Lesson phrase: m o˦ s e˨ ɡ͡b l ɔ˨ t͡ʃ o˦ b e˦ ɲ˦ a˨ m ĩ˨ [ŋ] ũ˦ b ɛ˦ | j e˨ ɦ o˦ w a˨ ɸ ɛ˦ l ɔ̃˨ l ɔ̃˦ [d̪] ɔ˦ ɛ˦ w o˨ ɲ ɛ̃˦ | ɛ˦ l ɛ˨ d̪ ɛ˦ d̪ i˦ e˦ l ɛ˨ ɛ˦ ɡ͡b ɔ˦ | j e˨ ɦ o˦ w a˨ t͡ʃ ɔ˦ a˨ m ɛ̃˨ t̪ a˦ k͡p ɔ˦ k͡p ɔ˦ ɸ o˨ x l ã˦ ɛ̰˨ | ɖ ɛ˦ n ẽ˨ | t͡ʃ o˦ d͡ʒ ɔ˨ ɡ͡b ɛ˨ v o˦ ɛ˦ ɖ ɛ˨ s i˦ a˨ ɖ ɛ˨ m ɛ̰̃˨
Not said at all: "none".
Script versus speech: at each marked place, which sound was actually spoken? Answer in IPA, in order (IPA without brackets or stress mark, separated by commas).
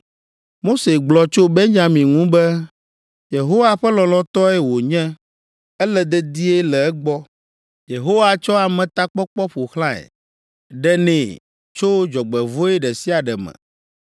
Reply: ŋ, t̪